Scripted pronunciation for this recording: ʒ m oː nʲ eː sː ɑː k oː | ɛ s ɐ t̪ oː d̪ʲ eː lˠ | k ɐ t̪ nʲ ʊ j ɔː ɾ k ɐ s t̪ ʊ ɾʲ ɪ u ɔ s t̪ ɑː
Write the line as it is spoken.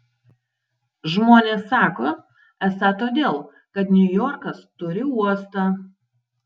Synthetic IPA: ʒ m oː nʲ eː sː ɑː k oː | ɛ s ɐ t̪ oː d̪ʲ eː lˠ | k ɐ t̪ nʲ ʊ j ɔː ɾ k ɐ s t̪ ʊ ɾʲ ɪ u ɔ s t̪ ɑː